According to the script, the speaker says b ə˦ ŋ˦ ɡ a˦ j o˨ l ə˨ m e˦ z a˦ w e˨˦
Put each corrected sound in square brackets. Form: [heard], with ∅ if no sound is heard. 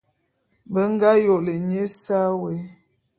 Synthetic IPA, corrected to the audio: b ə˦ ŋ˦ ɡ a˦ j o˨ l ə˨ [ɲ] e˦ [s] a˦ w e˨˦